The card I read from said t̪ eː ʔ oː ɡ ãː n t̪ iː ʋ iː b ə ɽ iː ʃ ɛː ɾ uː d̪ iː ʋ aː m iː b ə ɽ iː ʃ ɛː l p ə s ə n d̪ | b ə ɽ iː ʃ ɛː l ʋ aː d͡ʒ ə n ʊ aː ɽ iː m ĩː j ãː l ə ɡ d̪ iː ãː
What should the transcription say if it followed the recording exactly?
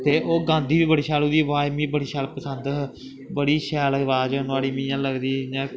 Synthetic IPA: t̪ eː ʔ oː ɡ ãː n d̪ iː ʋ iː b ə ɽ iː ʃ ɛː l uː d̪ iː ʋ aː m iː b ə ɽ iː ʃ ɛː l p ə s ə n d̪ | b ə ɽ iː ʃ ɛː l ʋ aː d͡ʒ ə n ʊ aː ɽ iː m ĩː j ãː l ə ɡ d̪ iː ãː